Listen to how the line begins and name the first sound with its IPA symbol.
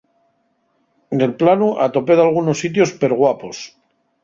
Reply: d̪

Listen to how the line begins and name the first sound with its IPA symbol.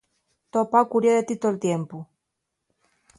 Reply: t̪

